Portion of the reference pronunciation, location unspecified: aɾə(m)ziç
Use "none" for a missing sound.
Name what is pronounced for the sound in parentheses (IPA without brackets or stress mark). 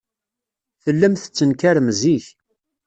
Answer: m